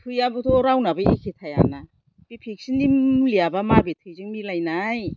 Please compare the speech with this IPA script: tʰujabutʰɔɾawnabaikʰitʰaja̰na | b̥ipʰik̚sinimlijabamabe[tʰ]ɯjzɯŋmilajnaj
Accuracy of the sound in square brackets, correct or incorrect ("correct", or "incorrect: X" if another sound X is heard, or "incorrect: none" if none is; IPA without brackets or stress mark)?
correct